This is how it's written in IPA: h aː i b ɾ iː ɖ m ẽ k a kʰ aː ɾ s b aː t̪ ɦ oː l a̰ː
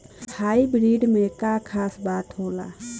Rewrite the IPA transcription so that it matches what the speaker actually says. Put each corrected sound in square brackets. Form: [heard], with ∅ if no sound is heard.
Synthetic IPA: h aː i b ɾ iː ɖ m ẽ k a kʰ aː [∅] s b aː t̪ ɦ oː l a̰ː